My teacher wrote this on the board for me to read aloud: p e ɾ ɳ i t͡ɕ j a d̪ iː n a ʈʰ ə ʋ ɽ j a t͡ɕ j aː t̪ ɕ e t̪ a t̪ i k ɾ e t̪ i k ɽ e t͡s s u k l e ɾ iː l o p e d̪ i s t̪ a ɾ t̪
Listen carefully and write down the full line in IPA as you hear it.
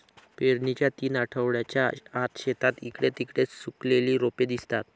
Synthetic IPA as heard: p e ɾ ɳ i t͡ɕ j a t̪ iː n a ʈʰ ə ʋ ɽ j a t͡ɕ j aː t̪ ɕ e t̪ a t̪ i k ɽ e t̪ i k ɽ e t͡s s u k l e l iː ɾ o p e d̪ i s t̪ a t̪